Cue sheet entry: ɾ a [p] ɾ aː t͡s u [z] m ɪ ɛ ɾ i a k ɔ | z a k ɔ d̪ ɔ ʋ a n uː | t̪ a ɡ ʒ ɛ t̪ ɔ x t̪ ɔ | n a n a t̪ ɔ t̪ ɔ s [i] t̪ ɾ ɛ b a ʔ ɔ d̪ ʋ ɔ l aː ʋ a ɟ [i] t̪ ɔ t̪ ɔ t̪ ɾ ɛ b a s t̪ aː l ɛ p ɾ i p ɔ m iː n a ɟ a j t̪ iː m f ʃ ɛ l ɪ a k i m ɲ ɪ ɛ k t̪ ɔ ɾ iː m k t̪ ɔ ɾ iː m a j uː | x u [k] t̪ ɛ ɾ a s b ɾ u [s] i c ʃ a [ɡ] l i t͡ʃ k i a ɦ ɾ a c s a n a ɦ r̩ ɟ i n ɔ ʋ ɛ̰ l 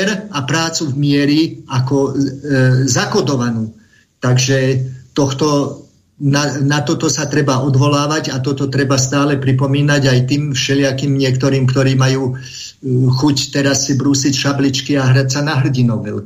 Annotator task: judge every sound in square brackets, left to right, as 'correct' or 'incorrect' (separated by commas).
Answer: correct, incorrect, incorrect, incorrect, incorrect, correct, incorrect